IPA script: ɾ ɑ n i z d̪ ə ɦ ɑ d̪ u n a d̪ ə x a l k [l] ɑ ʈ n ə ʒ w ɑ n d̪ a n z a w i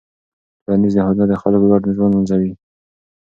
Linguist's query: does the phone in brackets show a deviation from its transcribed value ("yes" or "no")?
no